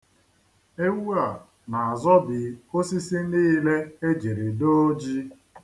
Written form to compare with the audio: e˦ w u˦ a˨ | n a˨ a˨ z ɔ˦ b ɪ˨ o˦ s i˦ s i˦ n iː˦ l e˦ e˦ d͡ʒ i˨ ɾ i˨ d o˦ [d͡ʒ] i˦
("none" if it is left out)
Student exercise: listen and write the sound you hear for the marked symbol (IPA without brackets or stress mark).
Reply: d͡ʒ